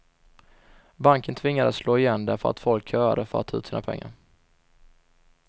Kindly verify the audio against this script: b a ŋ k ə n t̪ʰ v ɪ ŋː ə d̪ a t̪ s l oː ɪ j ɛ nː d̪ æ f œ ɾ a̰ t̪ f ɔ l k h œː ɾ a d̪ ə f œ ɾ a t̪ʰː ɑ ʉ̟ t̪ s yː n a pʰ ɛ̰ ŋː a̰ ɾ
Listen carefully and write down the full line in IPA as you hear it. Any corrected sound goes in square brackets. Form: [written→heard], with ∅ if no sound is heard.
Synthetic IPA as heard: b a ŋ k ə n t̪ʰ v ɪ ŋː [ə→a] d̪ a t̪ s l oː ɪ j ɛ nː d̪ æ f œ ɾ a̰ t̪ f ɔ l k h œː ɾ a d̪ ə f œ ɾ a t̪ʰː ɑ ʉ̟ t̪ s [yː→iː] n a pʰ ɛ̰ ŋː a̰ ɾ

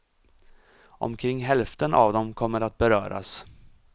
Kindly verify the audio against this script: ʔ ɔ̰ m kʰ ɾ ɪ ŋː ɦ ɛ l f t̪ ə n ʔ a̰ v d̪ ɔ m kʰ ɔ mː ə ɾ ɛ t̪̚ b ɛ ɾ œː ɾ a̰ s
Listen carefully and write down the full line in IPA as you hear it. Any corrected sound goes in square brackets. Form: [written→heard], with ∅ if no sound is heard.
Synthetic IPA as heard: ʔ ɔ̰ m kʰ ɾ ɪ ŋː ɦ ɛ l f t̪ ə n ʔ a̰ v d̪ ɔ m kʰ ɔ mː ə ɾ [ɛ→a] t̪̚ b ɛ ɾ œː ɾ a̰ s

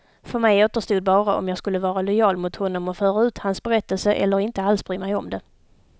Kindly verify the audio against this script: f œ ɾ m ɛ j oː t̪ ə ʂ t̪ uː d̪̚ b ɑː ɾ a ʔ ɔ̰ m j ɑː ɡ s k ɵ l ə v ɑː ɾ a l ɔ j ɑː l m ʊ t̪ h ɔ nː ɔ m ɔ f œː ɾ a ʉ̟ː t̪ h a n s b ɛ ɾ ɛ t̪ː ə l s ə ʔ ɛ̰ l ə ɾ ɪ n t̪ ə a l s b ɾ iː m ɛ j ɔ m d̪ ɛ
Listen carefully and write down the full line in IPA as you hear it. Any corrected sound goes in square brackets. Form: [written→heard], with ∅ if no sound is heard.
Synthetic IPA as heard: f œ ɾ m ɛ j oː t̪ ə ʂ t̪ uː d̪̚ b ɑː ɾ a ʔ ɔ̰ m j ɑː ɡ s k ɵ [l→lː] ə v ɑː ɾ a l ɔ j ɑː l m ʊ t̪ h ɔ nː ɔ m ɔ f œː ɾ a ʉ̟ː t̪ h a n s b ɛ ɾ ɛ t̪ː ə l s ə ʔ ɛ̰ [l→lː] ə ɾ ɪ n t̪ ə a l s b ɾ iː m ɛ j ɔ m d̪ ɛ

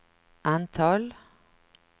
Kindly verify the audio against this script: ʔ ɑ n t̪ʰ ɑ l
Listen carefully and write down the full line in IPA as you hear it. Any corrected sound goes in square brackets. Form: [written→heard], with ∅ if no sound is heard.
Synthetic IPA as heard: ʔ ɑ n t̪ʰ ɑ l

